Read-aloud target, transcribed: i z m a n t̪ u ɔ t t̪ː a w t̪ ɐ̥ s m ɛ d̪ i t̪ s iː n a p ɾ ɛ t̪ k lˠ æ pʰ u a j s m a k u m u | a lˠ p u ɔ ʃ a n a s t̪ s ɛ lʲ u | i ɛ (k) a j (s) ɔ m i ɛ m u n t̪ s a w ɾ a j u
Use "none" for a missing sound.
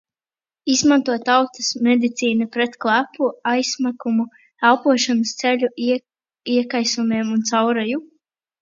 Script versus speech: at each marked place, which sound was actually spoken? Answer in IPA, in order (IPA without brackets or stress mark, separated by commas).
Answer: k, s